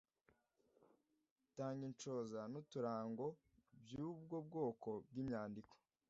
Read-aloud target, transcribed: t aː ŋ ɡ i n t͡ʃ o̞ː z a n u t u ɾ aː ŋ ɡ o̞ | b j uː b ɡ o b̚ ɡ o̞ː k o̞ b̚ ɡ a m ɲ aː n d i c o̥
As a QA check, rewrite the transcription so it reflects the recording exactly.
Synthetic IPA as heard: t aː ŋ ɡ i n t͡ʃ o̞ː z a n u t u ɾ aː ŋ ɡ o̞ | b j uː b ɡ o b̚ ɡ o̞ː k o̞ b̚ ɡ i m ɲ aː n d i k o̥

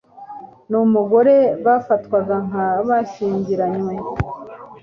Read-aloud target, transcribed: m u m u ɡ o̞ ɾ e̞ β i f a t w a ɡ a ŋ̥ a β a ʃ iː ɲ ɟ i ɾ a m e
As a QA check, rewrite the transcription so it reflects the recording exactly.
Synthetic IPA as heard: n u m u ɡ o̞ ɾ e̞ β a f a t w a ɡ a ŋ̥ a β a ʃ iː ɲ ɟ i ɾ a ɲ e

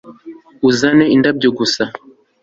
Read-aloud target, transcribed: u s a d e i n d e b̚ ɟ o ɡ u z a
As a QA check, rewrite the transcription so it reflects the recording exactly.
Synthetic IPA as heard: u z a n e i n d a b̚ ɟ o ɡ u s a

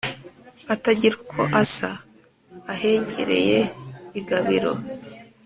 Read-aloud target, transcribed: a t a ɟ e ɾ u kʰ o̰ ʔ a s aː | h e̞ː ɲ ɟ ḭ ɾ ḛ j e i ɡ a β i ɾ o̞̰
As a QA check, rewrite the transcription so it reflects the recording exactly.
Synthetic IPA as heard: a t a ɟ i ɾ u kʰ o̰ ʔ a s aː | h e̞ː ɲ ɟ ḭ ɾ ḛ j e i ɡ a β i ɾ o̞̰

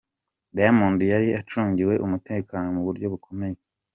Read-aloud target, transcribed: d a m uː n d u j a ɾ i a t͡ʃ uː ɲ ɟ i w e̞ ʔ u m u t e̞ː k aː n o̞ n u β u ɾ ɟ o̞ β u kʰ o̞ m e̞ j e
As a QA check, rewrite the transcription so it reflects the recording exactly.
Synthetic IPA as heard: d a m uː n d u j a ɾ i a t͡ʃ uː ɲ ɟ i w e̞ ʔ u m u t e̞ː k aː n o̞ m u β u ɾ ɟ o̞ β u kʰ o̞ m e̞ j e

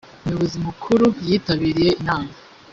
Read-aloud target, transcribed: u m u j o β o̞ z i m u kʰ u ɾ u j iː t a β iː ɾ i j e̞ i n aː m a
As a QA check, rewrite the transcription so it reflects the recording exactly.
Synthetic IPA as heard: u m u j o β o̞ z i m u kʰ u ɾ u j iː t a β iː ɾ i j e̞ i n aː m a

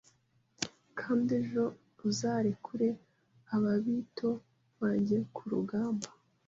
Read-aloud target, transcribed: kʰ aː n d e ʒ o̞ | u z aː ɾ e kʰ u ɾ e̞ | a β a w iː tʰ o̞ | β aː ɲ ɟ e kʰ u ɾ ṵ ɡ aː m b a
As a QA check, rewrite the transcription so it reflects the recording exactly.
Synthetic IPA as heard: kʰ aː n d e ʒ o̞ | u z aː ɾ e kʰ u ɾ e̞ | a β a β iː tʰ o̞ | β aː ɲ ɟ e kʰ u ɾ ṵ ɡ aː m b a

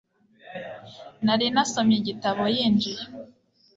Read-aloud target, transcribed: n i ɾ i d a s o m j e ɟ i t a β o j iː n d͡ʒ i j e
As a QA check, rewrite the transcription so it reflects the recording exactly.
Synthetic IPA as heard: n a ɾ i n a s o m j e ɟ i t a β o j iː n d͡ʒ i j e

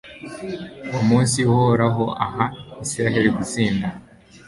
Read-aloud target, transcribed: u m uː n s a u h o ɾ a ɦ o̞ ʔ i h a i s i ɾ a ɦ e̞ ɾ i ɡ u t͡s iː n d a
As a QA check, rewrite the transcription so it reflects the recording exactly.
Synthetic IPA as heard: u m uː n s i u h o ɾ a ɦ o̞ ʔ a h a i s i ɾ a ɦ e̞ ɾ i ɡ u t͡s iː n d a

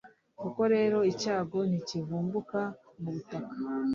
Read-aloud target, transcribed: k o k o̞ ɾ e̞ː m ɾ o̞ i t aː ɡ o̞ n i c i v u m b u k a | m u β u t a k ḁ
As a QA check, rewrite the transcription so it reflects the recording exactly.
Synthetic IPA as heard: k u k o̞ ɾ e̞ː ɾ o̞ i c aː ɡ o̞ n i c i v uː m b u k a | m u β u t a k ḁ

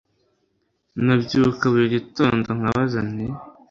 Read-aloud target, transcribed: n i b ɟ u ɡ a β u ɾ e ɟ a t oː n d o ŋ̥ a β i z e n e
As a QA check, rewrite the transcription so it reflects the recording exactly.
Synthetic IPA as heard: n a b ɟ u k a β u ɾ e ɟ i t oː n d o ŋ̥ a β a z a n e

